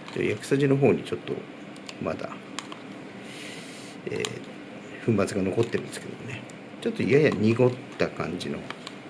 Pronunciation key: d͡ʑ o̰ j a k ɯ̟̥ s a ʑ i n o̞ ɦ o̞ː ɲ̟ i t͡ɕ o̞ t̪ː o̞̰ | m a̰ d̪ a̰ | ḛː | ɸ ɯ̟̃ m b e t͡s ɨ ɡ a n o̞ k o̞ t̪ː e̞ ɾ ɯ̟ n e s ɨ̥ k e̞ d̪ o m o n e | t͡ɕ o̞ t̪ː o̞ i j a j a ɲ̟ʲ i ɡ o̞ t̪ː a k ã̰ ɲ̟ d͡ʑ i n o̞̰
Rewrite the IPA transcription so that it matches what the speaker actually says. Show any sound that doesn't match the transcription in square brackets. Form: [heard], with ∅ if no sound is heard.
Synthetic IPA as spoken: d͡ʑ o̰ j a k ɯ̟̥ s a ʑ i n o̞ ɦ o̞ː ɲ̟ i t͡ɕ o̞ t̪ː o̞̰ | m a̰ d̪ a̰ | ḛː | ɸ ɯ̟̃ m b [a] t͡s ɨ ɡ a n o̞ k o̞ t̪ː e̞ ɾ ɯ̟ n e s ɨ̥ k e̞ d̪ o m o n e | t͡ɕ o̞ t̪ː o̞ i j a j a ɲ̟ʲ i ɡ o̞ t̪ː a k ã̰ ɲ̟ d͡ʑ i n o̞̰